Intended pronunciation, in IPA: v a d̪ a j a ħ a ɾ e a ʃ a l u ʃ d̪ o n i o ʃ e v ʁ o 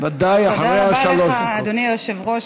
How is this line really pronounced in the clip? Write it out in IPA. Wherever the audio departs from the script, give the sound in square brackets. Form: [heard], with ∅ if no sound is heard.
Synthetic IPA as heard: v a d̪ a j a ħ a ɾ e a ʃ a l [o] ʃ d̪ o n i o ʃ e v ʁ o